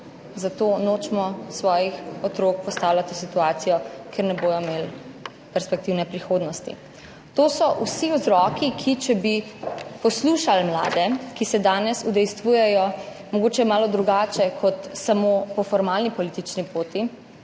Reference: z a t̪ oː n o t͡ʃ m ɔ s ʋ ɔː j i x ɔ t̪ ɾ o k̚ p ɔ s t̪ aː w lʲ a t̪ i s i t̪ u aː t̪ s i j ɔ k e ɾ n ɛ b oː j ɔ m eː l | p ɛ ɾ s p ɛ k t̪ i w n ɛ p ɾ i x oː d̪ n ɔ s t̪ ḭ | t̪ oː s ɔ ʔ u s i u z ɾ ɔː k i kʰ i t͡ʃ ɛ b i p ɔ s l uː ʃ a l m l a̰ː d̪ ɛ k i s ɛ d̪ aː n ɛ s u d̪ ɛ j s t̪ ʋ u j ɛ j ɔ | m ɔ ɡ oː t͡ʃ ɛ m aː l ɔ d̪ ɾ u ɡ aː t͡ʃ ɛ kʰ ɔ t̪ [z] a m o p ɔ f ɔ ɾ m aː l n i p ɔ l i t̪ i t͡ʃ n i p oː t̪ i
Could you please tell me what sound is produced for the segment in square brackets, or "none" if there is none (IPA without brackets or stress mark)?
s